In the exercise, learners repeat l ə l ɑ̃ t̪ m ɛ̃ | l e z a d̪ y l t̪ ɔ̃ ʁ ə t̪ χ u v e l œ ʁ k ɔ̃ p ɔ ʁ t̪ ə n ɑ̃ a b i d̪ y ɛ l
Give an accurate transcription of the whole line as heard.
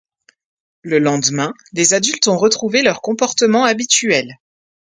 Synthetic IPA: l ə l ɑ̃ d̪ m ɛ̃ | l e z a d̪ y l t̪ ɔ̃ ʁ ə t̪ χ u v e l œ ʁ k ɔ̃ p ɔ ʁ t̪ ə m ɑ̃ a b i t̪ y ɛ l